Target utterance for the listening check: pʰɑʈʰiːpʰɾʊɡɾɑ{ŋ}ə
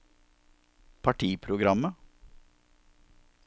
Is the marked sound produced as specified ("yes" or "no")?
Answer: no